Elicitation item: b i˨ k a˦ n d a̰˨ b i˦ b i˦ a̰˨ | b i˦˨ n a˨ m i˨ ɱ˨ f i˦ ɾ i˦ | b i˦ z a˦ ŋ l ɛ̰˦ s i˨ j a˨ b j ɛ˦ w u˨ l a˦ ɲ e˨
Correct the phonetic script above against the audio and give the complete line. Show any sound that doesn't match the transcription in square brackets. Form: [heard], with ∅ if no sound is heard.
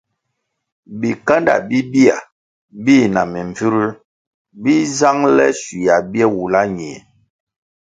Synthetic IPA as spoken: b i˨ k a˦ n d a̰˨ b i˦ b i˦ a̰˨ | b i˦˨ n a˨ m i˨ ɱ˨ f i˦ ɾ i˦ | b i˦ z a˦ ŋ l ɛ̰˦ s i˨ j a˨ b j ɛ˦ w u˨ l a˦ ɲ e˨